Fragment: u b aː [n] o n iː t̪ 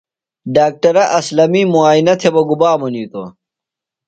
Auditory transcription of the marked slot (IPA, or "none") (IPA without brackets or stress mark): m